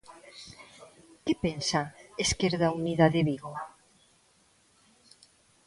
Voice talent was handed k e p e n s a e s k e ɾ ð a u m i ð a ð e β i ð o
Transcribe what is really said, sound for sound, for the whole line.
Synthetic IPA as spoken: k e p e n s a e s k e ɾ ð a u n i ð a ð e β i ɣ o